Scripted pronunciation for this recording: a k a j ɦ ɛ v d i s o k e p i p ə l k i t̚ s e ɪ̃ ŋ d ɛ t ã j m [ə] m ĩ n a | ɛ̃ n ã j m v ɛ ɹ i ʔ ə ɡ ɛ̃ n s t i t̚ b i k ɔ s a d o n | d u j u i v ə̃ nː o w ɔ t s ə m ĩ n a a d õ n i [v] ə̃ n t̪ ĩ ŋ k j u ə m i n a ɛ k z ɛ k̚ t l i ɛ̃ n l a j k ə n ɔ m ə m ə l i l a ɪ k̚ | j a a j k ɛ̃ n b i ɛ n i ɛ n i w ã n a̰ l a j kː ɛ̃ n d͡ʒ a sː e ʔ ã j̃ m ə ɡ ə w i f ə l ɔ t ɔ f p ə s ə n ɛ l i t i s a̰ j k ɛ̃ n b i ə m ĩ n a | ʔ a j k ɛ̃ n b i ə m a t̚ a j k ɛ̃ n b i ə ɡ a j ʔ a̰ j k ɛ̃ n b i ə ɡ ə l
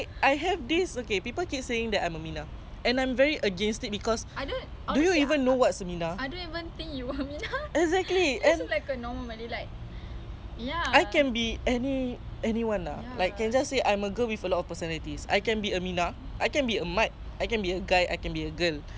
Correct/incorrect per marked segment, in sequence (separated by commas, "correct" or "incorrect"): correct, correct